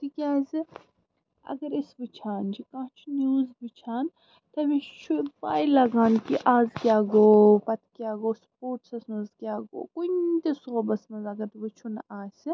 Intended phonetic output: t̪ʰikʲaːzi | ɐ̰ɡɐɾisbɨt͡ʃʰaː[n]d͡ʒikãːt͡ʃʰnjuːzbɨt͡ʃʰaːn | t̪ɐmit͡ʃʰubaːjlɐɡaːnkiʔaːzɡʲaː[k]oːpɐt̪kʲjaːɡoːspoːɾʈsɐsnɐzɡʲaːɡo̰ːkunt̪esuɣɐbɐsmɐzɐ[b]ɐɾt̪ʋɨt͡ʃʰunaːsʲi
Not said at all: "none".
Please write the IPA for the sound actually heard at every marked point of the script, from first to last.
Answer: n, ɡ, ɡ

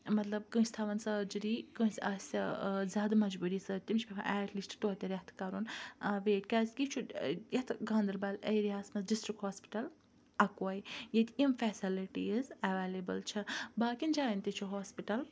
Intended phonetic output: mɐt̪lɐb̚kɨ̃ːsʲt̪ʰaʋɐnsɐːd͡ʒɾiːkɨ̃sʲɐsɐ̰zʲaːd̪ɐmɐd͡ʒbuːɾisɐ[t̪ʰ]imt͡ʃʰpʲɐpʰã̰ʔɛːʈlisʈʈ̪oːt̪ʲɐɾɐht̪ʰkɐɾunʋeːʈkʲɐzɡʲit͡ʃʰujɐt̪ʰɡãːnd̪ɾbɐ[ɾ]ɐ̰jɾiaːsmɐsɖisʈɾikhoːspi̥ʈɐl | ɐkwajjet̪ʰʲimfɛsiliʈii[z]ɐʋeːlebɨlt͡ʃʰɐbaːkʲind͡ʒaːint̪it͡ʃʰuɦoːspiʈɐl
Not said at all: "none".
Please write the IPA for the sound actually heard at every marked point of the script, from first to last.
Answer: t̪, l, z

